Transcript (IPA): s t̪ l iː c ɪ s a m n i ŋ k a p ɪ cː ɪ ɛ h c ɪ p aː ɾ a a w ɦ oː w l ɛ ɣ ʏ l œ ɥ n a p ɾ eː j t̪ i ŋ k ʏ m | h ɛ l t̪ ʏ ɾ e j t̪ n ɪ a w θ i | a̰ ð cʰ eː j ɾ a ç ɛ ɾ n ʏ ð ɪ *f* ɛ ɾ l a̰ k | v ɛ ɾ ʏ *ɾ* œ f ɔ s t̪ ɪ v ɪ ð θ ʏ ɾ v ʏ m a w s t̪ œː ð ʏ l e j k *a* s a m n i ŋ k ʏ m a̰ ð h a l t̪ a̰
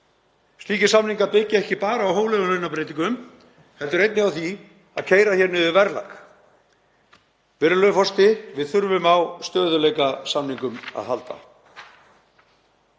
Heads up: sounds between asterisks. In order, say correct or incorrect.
incorrect: v, incorrect: l, correct

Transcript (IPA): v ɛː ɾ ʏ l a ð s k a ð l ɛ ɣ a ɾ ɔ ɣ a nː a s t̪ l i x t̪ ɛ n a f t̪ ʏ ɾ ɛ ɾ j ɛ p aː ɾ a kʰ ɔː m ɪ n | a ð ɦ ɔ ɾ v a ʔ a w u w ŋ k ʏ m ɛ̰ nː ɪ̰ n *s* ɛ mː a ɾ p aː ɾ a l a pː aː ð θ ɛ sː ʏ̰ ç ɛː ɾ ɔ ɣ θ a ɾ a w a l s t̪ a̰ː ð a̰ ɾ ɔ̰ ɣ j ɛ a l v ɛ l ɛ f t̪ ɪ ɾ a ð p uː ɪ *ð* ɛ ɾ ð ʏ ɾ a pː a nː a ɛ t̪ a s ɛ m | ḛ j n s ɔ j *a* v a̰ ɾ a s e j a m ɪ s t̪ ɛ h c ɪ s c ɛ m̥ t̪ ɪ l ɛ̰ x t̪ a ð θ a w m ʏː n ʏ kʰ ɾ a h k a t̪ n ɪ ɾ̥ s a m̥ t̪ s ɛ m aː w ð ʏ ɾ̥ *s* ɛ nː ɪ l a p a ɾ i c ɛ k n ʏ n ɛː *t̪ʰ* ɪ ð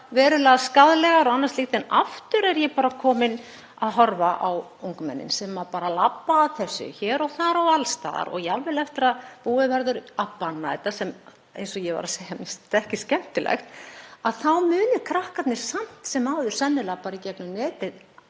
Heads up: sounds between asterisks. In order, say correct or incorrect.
correct, incorrect: v, incorrect: ɛ, correct, incorrect: t̪

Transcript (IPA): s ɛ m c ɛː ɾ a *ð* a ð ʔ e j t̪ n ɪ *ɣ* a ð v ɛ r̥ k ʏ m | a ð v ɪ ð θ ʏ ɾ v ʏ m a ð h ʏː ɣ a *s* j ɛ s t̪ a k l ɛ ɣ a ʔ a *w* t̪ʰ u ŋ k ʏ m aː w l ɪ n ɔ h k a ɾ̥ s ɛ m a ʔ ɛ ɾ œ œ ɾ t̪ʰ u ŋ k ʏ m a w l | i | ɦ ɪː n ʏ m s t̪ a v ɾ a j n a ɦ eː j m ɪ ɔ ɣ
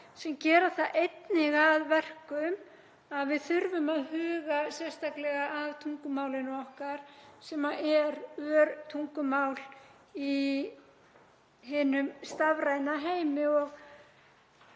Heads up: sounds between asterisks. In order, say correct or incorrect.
incorrect: θ, correct, correct, incorrect: v

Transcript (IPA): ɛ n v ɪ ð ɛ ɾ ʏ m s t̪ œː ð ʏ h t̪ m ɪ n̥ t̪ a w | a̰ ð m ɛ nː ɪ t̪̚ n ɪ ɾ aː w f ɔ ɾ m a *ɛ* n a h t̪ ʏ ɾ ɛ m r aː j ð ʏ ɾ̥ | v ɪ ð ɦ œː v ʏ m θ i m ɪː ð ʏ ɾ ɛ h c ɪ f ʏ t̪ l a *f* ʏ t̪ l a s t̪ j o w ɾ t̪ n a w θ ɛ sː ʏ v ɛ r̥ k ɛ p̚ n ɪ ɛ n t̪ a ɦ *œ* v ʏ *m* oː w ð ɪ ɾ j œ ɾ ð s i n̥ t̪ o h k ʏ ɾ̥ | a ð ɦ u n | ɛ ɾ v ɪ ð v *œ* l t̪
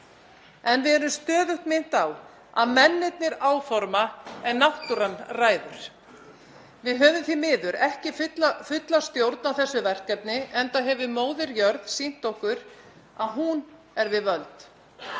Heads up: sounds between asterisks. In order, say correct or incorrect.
correct, correct, incorrect: ɛ, correct, correct

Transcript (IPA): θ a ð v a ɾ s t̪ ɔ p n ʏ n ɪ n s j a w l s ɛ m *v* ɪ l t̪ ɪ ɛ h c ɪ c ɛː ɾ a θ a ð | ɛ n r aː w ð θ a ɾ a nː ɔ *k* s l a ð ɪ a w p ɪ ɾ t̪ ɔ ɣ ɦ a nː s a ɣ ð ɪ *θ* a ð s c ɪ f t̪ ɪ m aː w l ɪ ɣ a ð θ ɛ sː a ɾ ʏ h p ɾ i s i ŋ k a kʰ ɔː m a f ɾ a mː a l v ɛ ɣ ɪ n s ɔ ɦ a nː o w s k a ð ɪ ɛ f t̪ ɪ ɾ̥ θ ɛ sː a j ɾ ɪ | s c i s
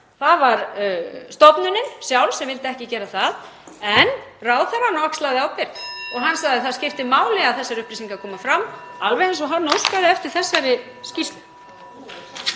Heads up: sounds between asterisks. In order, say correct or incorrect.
correct, correct, correct

